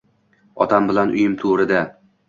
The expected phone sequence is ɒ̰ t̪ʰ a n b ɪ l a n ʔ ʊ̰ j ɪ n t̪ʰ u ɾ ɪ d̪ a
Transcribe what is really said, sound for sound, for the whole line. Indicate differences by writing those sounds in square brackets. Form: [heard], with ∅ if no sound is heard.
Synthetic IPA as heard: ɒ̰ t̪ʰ a [m] b ɪ l a n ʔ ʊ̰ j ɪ [m] t̪ʰ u ɾ ɪ d̪ a